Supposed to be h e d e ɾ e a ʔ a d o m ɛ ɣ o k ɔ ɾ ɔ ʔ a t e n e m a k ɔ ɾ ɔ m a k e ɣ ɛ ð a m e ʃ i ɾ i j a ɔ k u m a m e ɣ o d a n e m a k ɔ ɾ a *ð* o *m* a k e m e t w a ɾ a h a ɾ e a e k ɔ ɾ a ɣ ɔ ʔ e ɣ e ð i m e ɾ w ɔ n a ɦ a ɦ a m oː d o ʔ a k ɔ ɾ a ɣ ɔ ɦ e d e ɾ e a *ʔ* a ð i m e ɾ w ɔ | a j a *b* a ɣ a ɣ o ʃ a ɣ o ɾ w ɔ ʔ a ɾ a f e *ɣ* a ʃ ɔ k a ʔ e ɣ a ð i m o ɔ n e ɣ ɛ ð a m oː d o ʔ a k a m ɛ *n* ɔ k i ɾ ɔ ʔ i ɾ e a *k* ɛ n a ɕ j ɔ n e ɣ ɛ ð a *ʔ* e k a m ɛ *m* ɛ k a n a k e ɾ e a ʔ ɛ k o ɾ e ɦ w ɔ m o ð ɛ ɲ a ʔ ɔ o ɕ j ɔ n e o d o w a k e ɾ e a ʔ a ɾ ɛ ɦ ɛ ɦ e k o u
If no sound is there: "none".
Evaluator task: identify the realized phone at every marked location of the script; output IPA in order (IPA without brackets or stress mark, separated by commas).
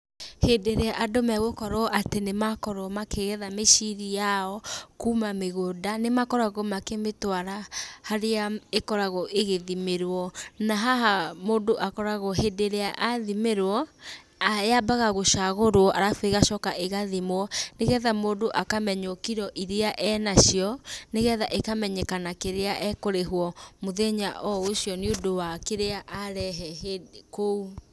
ɣ, m, ʔ, b, ɣ, ɲ, ʔ, ʔ, ɲ